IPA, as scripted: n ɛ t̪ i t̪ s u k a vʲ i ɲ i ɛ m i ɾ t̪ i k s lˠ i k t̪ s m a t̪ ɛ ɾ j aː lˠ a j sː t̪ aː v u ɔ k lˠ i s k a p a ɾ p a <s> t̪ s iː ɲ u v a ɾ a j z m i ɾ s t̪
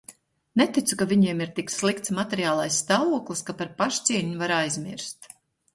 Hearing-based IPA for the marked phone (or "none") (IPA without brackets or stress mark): ʃ